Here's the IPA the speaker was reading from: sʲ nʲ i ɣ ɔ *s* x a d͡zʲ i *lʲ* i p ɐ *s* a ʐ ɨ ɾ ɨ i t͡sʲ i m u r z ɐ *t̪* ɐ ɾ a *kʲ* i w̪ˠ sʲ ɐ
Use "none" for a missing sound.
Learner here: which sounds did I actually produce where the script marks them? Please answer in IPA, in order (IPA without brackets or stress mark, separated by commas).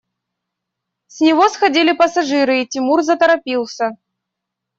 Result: s, lʲ, s, t̪, pʲ